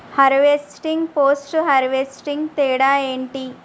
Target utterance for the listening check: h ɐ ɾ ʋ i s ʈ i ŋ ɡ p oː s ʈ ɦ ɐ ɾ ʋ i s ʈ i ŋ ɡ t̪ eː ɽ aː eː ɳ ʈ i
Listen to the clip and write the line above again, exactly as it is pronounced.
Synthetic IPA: h ɐ ɾ ʋ e s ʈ i ŋ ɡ p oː s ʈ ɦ ɐ ɾ ʋ e s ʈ i ŋ ɡ t̪ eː ɽ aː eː ɳ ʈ i